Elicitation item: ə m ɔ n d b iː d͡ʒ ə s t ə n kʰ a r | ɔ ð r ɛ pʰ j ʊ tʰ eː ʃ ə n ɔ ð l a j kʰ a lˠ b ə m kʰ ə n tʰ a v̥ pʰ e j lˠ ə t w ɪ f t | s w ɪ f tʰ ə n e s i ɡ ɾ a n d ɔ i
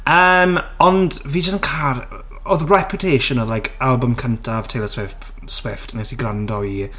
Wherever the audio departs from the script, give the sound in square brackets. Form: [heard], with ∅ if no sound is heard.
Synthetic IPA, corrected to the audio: ə m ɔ n d [v] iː d͡ʒ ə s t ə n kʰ a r | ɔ ð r ɛ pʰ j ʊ tʰ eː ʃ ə n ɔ ð l a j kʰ a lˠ b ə m kʰ ə n tʰ a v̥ [tʰ] e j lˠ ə [s] w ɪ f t | s w ɪ f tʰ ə n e s i ɡ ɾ a n d ɔ i

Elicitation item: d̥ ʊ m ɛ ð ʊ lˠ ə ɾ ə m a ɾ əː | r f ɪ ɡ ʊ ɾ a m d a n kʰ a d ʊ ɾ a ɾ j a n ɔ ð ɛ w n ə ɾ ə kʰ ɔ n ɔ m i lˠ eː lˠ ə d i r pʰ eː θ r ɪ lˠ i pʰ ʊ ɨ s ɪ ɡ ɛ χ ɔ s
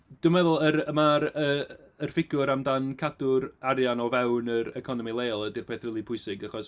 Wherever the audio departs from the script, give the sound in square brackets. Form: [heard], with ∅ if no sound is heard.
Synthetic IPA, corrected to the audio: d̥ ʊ m ɛ ð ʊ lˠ ə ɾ ə m a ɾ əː | r f ɪ ɡ ʊ ɾ a m d a n kʰ a d ʊ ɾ a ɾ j a n ɔ [v] ɛ w n ə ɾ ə kʰ ɔ n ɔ m i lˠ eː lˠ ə d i r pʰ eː θ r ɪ lˠ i pʰ ʊ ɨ s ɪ ɡ [a] χ ɔ s

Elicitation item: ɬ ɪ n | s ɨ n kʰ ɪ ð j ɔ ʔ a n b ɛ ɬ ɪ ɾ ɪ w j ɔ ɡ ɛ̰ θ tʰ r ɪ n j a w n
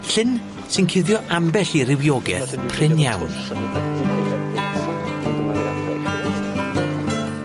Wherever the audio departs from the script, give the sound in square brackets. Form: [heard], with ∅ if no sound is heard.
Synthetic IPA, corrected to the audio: ɬ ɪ n | s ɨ n kʰ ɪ ð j ɔ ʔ a [m] b ɛ ɬ [i] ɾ ɪ w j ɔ ɡ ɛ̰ θ [pʰ] r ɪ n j a w n

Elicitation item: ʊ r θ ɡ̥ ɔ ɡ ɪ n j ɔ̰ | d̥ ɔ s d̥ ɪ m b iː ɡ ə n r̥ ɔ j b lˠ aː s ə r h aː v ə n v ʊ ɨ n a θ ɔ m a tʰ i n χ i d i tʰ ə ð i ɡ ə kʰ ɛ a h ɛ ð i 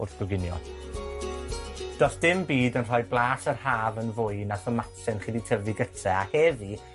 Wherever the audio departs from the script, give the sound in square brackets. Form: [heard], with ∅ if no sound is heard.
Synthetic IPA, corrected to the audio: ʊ r θ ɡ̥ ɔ ɡ ɪ n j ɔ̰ | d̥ ɔ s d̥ ɪ m b iː [d] ə n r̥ ɔ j b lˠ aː s ə r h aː v ə n v ʊ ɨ n a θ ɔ m a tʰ [ɛ] n χ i d i tʰ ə [v] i ɡ ə [tʰ] ɛ a h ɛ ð i

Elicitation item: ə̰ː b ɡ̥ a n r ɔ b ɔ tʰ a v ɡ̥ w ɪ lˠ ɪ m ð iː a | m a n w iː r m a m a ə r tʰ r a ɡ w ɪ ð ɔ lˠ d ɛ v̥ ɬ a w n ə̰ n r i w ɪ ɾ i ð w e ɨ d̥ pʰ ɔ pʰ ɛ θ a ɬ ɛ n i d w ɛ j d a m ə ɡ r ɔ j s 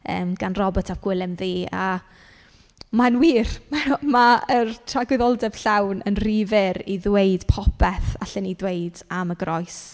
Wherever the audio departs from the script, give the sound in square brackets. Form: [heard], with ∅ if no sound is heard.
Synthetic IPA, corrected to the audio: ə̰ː [m] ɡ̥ a n r ɔ b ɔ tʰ a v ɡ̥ w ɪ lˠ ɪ m ð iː a | m a n w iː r m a m a ə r tʰ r a ɡ w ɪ ð ɔ lˠ d ɛ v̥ ɬ a w n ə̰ n r i [v] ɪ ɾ i ð w e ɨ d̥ pʰ ɔ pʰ ɛ θ a ɬ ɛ n i d w [e] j d a m ə ɡ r ɔ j s

